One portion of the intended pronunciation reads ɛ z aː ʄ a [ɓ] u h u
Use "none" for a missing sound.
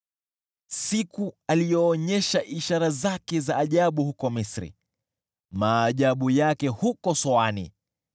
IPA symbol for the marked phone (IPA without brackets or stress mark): ɓ